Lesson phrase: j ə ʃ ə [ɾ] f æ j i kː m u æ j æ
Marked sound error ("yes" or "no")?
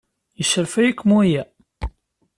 no